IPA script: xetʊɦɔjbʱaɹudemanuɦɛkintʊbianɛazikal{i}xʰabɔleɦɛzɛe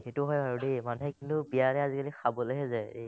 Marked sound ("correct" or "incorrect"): correct